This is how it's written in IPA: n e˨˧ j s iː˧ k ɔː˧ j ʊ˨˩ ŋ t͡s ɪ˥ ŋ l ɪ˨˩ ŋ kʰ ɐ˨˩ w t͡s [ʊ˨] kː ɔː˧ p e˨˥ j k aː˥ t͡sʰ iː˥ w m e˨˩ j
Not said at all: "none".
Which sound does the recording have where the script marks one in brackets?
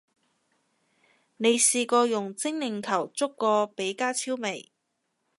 ʊ˥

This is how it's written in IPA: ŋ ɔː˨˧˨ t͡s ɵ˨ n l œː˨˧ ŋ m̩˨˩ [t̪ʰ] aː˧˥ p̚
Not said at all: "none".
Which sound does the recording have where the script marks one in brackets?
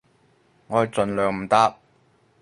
t̪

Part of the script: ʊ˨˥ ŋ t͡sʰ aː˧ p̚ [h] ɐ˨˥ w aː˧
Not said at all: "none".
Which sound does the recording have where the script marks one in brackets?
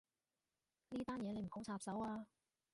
s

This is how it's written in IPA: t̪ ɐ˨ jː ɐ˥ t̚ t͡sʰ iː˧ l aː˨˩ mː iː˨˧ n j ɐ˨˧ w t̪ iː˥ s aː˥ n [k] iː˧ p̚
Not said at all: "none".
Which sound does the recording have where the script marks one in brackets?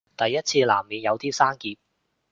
k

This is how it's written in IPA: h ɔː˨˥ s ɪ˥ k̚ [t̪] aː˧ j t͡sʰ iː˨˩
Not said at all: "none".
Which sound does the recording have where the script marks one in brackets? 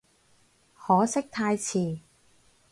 t̪ʰ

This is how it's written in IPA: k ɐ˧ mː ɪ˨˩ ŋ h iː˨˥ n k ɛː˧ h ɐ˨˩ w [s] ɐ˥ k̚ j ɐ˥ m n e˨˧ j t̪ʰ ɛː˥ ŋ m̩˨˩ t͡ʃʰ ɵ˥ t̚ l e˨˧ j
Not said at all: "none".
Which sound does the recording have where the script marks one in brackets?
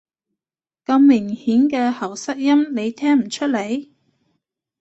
s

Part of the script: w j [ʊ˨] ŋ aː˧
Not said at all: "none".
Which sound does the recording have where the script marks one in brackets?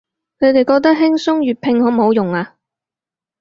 ʊ˨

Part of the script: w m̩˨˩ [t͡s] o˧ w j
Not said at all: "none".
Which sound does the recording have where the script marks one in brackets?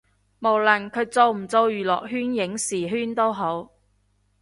t͡s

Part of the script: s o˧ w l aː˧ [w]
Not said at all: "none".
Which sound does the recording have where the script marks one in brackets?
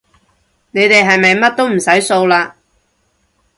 none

